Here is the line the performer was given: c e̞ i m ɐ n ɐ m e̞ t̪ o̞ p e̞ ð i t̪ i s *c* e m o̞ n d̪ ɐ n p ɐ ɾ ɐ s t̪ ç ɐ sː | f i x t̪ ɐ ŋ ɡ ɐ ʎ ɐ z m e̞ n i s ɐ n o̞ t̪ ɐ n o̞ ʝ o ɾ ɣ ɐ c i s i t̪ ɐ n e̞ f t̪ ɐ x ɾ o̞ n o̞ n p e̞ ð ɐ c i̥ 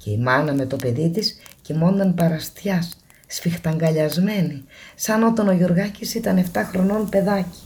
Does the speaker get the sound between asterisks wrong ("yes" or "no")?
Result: no